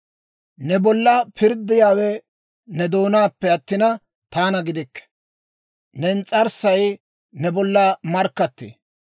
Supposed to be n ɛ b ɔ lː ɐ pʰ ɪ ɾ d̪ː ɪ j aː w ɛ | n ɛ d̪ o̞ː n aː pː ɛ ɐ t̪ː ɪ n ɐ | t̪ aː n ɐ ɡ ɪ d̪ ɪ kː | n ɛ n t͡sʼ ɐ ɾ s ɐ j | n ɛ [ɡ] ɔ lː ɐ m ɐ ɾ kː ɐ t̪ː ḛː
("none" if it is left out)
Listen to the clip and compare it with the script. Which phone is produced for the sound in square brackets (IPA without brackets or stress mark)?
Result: b